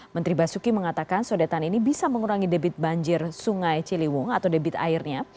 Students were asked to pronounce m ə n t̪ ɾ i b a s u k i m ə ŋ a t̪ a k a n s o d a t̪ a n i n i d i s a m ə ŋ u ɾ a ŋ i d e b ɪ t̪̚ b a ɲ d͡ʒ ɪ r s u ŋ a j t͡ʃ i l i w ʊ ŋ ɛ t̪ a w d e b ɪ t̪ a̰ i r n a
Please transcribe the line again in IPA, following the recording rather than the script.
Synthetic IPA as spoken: m ə n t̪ ɾ i b a s u k i m ə ŋ a t̪ a k a n s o d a t̪ a n i n i b i s a m ə ŋ u ɾ a ŋ i d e b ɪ t̪̚ b a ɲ d͡ʒ ɪ r s u ŋ a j t͡ʃ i l i w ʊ ŋ a t̪ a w d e b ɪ t̪ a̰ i r ɲ a